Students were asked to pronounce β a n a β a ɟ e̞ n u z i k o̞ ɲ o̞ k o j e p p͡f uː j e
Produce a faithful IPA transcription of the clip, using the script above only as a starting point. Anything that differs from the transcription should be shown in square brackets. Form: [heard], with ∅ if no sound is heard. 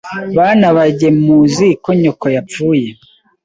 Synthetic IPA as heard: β a n a β a ɟ e̞ [m] u z i k o̞ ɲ o̞ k o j [a] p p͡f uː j e